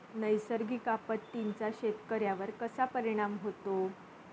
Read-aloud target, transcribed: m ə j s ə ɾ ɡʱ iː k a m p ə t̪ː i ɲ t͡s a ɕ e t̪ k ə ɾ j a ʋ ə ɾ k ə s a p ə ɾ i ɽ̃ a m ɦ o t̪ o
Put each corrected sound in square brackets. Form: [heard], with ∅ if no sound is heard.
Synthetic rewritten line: [n] ə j s ə ɾ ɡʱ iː k a [∅] p ə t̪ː i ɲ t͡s a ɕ e t̪ k ə ɾ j a ʋ ə ɾ k ə s a p ə ɾ i ɽ̃ a m ɦ o t̪ o